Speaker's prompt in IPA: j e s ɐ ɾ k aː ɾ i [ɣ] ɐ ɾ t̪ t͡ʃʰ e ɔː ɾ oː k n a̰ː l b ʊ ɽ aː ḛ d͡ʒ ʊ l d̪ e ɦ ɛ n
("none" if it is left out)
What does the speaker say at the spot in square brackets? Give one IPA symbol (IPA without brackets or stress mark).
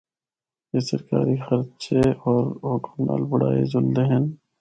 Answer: x